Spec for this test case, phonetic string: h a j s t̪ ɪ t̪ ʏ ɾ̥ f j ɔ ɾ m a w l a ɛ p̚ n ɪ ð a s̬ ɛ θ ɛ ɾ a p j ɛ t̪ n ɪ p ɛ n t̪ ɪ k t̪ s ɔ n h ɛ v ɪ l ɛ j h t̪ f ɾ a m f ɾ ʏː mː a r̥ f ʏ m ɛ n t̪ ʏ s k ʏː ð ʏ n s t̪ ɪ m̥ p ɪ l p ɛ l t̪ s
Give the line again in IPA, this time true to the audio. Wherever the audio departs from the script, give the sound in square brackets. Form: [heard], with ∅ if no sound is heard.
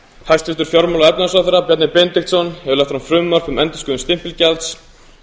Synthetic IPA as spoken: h a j s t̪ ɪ t̪ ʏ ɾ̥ f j ɔ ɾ m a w l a ɛ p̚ n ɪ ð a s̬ [a] θ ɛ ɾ a p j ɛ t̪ n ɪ p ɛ n t̪ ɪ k t̪ s ɔ n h ɛ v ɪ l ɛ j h t̪ f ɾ a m f ɾ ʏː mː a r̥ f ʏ m ɛ n t̪ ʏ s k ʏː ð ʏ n s t̪ ɪ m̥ p ɪ l [c] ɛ l t̪ s